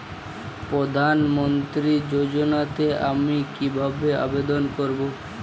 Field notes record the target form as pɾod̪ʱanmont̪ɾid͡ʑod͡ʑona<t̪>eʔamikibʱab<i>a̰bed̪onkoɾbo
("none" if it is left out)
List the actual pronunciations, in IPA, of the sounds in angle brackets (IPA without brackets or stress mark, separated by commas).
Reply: t̪, e